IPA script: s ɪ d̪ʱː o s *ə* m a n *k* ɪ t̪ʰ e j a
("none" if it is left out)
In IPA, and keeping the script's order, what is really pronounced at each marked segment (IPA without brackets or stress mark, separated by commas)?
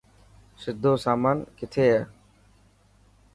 a, k